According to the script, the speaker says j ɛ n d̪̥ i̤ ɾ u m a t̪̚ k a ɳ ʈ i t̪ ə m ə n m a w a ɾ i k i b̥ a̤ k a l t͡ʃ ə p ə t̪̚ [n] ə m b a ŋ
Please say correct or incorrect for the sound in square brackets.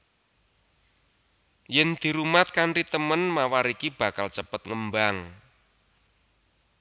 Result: incorrect